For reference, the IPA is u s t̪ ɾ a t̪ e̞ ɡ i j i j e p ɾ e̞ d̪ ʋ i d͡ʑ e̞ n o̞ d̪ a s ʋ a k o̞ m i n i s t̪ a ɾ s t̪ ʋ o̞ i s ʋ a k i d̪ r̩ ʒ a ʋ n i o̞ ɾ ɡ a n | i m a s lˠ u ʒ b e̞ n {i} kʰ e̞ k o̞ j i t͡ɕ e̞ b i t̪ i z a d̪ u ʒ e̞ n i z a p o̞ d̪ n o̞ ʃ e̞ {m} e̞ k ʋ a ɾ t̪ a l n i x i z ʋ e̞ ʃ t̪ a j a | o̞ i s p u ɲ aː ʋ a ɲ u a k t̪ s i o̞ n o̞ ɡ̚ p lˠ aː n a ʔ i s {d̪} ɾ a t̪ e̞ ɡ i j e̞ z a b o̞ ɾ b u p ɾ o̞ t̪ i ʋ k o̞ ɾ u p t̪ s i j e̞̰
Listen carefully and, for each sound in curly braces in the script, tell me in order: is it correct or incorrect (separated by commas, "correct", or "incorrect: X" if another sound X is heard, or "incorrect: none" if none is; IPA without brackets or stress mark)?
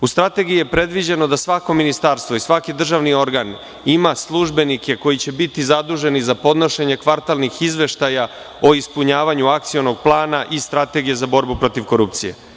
correct, incorrect: ɲ, incorrect: t̪